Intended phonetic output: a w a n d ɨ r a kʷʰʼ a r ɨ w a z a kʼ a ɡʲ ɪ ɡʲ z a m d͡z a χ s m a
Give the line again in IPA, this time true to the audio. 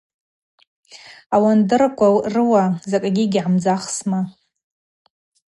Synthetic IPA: a w a n d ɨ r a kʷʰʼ a r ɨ w a z a kʼ a ɡʲ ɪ ɡʲ ʕ a m d͡z a χ s m a

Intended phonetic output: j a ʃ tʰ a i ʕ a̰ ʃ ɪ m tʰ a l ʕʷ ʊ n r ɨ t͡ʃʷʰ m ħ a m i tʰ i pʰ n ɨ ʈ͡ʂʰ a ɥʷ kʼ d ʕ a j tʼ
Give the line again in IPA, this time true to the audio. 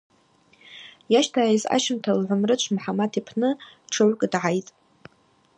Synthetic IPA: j a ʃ tʰ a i z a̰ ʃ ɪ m tʰ a l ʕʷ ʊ m r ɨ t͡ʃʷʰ m ħ a m a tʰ i pʰ n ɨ ʈ͡ʂʰ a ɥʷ kʼ d ʕ a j tʼ

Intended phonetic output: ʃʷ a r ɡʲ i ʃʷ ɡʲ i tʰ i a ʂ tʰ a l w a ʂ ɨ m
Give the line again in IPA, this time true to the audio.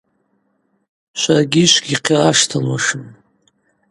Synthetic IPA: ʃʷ a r ɡʲ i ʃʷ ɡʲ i qʰ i a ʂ tʰ a l w a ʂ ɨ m

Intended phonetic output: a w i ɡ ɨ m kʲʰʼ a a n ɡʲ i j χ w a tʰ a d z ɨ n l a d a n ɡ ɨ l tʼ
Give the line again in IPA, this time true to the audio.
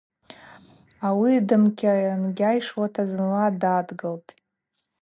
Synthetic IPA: a w i d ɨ m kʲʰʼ a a n ɡʲ a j ʂ w a tʰ a z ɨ n l a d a d ɡ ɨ l tʼ

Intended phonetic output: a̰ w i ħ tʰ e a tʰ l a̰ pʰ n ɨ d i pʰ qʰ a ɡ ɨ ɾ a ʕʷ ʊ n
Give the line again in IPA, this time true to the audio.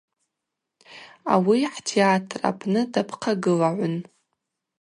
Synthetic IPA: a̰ w i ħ tʰ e a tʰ r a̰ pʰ n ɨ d a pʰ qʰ a ɡ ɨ l a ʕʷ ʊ n

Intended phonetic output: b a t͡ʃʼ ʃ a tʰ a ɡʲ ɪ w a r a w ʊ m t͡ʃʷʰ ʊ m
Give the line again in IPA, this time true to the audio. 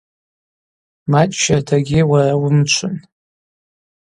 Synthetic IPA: m a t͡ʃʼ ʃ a tʰ a ɡʲ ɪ w a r a w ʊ m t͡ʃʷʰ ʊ n

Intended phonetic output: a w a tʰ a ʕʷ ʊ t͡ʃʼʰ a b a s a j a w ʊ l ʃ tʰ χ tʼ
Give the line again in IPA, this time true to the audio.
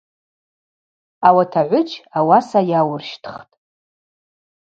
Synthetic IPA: a w a tʰ a ʕʷ ʊ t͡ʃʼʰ a w a s a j a w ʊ r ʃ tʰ χ tʼ

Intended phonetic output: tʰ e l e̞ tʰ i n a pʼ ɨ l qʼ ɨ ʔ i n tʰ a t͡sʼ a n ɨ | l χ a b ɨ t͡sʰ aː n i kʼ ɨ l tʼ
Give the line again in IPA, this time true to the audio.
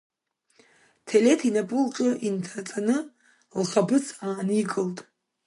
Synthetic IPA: tʰ e l e̞ tʰ i n a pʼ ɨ l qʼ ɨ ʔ i n tʰ a t͡sʼ a n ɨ | l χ a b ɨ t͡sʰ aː n i kʼ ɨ l tʼ

